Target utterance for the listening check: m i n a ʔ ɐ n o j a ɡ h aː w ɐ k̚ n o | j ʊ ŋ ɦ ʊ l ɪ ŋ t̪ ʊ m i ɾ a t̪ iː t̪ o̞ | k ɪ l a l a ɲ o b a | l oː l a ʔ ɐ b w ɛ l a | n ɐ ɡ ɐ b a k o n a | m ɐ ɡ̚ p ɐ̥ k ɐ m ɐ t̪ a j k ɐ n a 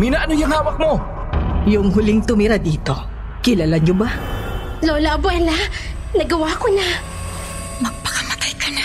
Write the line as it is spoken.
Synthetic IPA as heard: m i n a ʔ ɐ n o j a ŋ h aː w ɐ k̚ m o | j ʊ ŋ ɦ ʊ l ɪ ŋ t̪ ʊ m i ɾ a d̪ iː t̪ o̞ | k ɪ l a l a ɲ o b a | l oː l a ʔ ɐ b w ɛ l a | n ɐ ɡ ɐ w a k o n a | m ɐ ɡ̚ p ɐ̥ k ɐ m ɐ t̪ a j k ɐ n a